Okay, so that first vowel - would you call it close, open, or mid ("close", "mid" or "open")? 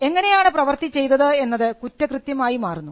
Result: mid